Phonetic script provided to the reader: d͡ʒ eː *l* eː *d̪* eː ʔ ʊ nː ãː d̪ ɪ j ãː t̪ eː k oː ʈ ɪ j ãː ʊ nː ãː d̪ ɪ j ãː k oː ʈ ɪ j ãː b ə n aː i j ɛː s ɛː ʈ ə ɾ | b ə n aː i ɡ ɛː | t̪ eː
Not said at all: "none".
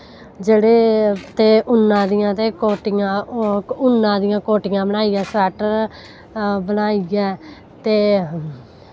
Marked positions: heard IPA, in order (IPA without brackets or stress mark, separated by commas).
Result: ɽ, t̪